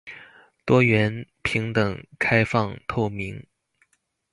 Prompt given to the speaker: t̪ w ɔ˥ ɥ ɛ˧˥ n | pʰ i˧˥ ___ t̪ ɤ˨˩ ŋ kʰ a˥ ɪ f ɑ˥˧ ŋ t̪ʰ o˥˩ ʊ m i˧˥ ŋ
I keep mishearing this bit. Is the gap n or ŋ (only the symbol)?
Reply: ŋ